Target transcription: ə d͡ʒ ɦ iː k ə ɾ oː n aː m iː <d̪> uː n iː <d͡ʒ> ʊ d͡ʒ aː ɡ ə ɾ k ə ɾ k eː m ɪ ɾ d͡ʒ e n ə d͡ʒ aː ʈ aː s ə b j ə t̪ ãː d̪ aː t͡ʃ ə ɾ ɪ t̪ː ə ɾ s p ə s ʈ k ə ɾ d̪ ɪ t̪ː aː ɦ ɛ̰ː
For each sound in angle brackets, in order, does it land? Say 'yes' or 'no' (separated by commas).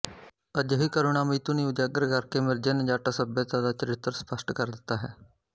no, no